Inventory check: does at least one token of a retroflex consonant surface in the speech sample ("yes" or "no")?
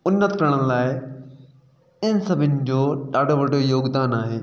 yes